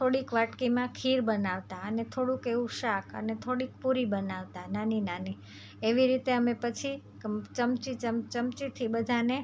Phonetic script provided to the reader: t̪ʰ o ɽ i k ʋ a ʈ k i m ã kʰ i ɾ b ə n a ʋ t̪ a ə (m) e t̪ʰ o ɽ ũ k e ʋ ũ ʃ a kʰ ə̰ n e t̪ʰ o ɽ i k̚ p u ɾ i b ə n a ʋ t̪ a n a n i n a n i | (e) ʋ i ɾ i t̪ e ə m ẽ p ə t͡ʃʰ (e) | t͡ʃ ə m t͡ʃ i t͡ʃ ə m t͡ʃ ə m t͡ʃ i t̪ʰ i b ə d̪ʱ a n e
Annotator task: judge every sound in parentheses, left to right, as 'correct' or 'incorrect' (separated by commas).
incorrect, correct, incorrect